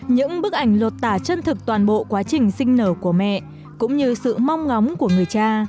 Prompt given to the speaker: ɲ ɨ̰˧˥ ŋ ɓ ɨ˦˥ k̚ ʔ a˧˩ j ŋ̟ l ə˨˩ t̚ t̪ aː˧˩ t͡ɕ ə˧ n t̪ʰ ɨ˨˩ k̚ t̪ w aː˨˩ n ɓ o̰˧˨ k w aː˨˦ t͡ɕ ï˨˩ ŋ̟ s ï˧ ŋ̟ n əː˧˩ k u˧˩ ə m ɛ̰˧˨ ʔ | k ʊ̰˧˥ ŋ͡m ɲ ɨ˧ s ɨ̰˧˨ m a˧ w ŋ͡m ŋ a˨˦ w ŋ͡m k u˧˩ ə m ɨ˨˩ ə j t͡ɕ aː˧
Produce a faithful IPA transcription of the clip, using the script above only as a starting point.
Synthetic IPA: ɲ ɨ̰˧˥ ŋ ɓ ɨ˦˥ k̚ ʔ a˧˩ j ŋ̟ l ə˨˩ t̚ t̪ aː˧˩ t͡ɕ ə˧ n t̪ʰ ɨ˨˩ k̚ t̪ w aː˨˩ n ɓ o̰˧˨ k w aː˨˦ t͡ɕ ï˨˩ ŋ̟ s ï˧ ŋ̟ n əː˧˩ k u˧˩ ə m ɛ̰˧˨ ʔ | k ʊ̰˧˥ ŋ͡m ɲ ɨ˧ s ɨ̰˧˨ m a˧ w ŋ͡m ŋ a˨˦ w ŋ͡m k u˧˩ ə ŋ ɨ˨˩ ə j t͡ɕ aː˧